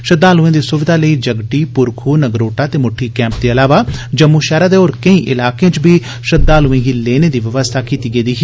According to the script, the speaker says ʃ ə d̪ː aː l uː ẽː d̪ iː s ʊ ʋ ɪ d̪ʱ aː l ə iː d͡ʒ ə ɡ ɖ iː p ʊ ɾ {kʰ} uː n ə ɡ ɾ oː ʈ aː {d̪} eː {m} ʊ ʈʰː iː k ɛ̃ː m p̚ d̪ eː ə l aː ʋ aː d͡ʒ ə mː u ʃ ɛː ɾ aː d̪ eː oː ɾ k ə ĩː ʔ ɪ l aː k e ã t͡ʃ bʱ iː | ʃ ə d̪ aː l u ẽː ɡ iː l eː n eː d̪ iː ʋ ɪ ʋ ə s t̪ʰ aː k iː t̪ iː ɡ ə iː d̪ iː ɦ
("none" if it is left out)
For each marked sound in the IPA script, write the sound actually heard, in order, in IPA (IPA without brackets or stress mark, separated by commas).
kʰ, t̪, m